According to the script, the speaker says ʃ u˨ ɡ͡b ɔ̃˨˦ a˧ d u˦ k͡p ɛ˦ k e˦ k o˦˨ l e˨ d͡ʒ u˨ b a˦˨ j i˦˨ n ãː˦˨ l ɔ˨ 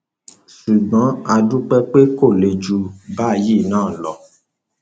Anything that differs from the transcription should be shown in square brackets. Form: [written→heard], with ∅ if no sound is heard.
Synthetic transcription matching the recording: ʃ u˨ ɡ͡b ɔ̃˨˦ a˧ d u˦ k͡p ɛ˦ [k→k͡p] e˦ k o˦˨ l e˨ d͡ʒ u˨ b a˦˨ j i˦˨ n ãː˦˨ l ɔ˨